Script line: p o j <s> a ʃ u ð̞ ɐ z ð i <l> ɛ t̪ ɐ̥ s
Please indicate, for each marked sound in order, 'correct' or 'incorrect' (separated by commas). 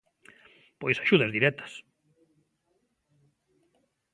correct, incorrect